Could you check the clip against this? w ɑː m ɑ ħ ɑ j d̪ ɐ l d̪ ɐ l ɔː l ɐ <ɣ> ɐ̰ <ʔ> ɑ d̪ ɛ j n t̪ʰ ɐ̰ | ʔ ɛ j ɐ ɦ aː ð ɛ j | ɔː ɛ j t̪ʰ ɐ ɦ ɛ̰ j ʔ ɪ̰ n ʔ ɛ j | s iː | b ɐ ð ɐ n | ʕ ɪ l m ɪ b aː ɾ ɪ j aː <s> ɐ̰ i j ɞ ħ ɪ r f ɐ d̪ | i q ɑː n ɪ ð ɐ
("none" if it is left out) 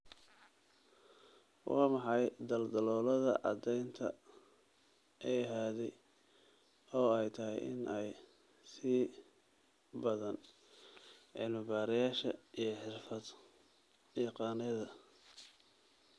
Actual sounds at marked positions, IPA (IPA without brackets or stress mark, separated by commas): ð, ʔ, ʃ